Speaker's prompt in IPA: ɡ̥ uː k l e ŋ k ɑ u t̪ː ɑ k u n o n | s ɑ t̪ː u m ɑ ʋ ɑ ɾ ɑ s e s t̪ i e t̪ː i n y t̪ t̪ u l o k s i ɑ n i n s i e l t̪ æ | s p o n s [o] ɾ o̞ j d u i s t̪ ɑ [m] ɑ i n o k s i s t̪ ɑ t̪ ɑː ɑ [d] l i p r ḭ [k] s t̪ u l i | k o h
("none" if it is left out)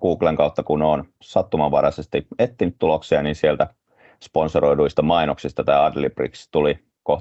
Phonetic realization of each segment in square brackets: o, m, d, k

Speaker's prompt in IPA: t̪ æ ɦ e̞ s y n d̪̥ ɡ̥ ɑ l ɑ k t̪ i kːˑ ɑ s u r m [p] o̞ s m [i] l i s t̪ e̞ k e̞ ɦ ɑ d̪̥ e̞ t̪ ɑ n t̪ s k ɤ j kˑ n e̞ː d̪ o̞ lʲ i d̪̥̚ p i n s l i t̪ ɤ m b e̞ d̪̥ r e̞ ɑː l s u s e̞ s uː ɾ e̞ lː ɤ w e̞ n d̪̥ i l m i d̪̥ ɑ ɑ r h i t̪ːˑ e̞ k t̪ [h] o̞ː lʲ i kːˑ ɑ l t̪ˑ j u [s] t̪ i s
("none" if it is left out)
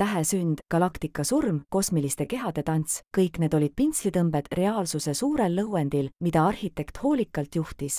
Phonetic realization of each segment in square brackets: k, i, h, h

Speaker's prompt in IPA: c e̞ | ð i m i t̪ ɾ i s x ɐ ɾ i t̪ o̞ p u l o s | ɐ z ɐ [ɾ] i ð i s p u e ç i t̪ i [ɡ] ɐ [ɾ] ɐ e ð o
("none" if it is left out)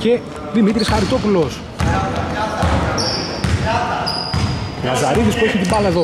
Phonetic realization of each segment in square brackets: ɾ, b, l

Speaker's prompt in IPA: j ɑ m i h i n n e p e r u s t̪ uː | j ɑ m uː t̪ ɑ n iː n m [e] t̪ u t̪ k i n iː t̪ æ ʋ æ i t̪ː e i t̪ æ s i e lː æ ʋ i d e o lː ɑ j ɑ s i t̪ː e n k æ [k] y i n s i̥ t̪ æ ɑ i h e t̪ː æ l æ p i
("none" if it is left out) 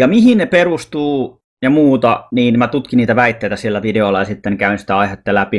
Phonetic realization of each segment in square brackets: æ, none

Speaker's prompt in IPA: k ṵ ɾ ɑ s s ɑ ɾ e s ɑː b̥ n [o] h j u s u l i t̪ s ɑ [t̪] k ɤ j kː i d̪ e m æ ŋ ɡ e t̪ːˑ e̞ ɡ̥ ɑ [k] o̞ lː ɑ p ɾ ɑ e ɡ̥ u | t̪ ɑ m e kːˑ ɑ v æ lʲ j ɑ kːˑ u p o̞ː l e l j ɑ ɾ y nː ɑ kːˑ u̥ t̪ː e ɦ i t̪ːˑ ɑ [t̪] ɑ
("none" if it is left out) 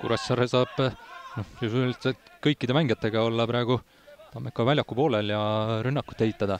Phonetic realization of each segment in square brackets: o, t̪, none, d̪

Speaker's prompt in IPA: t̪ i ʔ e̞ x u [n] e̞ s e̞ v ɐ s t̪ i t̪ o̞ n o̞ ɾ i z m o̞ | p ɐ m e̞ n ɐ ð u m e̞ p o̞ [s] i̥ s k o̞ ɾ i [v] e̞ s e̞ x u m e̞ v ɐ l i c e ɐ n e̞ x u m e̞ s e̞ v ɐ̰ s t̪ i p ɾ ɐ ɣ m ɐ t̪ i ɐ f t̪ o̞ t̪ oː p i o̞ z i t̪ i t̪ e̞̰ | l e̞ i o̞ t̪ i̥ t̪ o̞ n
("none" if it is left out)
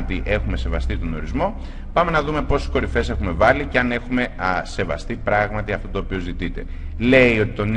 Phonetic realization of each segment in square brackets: m, s, f

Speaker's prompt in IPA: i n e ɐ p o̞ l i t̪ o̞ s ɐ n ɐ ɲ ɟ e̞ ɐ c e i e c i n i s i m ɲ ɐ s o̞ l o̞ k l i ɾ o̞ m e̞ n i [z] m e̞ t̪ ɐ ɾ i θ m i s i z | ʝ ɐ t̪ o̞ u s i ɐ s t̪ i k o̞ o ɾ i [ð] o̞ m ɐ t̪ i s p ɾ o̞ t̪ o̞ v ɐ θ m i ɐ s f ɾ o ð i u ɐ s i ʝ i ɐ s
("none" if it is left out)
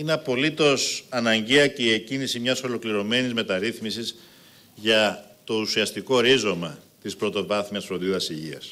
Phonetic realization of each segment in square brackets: z, z

